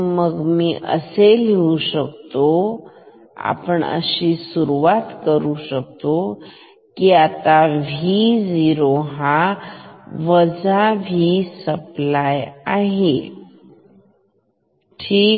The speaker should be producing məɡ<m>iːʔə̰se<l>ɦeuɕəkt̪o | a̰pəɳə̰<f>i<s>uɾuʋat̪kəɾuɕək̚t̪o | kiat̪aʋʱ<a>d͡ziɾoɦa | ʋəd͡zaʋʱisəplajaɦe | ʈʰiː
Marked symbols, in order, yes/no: yes, yes, no, yes, no

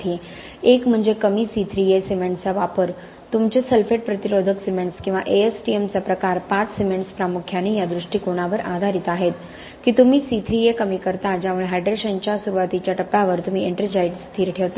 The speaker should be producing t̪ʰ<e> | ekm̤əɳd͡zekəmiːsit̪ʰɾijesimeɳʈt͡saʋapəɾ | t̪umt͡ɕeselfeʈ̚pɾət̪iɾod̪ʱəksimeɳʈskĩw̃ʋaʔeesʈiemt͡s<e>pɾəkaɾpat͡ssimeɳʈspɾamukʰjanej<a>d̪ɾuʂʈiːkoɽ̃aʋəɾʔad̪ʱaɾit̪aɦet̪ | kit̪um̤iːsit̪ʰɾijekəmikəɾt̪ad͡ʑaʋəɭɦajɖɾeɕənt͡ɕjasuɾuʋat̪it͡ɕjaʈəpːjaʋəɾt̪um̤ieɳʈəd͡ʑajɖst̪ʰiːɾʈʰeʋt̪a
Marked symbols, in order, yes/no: no, no, yes

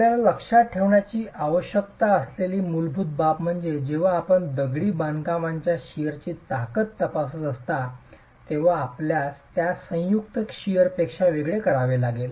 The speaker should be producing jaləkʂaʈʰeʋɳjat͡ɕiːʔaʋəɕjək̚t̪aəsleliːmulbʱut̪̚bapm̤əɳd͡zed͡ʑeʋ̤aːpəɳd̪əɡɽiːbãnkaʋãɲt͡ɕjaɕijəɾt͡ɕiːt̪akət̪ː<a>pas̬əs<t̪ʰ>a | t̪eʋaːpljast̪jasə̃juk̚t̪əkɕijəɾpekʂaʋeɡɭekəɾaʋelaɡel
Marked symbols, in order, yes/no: no, no

